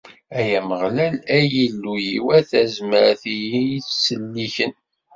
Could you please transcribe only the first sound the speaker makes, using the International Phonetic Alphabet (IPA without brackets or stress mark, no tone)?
æ